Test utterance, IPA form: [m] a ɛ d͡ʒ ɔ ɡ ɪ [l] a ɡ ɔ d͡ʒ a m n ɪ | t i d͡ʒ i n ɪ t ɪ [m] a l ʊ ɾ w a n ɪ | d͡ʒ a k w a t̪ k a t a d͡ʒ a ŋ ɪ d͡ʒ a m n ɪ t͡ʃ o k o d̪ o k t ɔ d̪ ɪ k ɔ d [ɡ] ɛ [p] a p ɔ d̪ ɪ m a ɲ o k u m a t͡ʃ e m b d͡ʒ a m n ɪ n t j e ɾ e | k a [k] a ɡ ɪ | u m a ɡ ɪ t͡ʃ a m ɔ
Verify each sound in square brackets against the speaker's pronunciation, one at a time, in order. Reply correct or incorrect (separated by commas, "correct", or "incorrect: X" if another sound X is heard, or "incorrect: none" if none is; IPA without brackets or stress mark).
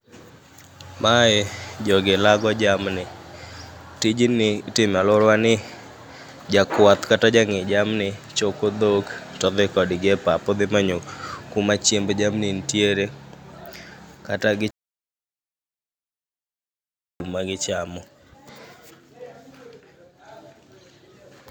correct, correct, correct, correct, correct, incorrect: t